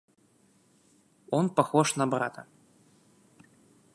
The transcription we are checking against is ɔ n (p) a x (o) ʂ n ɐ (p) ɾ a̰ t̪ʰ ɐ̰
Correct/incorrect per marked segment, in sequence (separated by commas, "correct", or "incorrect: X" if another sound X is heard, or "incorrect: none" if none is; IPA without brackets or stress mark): correct, incorrect: ɔ, incorrect: b